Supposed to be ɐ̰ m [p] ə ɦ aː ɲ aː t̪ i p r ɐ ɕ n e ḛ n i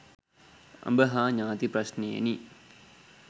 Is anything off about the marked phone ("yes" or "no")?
yes